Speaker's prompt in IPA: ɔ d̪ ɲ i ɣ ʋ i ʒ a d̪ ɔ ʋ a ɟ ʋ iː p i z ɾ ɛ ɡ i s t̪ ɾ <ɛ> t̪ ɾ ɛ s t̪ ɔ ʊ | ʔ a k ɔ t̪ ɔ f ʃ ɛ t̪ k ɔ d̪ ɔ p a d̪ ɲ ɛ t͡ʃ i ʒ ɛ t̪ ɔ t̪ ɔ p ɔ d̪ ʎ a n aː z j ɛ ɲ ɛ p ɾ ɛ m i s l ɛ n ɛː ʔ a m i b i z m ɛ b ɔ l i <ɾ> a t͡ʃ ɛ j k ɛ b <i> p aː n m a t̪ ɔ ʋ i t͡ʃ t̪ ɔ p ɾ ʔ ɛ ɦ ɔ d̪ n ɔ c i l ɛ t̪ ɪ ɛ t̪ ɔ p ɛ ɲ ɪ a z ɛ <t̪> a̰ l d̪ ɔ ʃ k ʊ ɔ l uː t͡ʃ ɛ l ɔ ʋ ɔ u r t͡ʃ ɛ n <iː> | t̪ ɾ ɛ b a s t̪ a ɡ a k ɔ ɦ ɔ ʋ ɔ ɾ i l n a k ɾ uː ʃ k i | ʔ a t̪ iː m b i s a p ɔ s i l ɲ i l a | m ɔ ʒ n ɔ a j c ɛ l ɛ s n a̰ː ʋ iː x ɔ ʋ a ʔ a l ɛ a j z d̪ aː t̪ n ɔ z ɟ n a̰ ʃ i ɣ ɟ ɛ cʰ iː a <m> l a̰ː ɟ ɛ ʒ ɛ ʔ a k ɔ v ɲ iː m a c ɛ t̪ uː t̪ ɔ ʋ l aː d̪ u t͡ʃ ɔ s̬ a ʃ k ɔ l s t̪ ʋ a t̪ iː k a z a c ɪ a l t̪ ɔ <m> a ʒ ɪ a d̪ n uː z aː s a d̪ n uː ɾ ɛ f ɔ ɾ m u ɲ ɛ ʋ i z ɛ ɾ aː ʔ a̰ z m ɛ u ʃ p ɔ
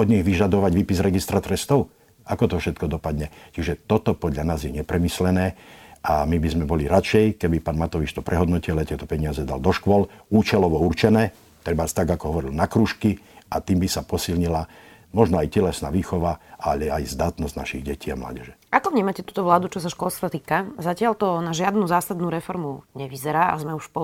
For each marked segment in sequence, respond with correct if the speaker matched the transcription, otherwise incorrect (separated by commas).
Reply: incorrect, correct, correct, incorrect, incorrect, correct, incorrect